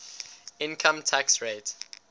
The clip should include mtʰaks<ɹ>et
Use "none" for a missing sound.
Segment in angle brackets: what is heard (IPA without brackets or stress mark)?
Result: ɹ